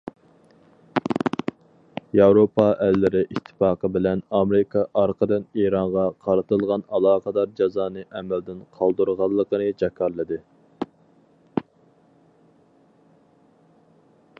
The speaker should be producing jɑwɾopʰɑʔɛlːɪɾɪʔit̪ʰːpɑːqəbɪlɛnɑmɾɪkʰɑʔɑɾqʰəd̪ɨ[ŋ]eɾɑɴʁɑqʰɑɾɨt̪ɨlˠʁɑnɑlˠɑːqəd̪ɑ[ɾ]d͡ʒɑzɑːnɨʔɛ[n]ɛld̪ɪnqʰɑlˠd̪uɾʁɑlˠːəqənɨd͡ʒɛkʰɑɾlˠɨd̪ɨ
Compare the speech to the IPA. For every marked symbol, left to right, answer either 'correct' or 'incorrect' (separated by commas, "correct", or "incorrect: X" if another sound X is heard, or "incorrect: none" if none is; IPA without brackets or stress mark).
incorrect: n, correct, incorrect: m